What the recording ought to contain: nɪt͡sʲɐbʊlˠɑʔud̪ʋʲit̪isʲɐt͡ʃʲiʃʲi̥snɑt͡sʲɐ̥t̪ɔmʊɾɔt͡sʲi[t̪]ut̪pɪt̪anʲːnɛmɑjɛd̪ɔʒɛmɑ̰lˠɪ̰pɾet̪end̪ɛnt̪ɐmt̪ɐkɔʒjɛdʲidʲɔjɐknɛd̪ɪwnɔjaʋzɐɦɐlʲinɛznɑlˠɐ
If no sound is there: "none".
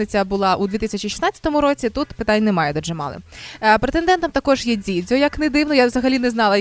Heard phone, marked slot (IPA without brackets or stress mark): t̪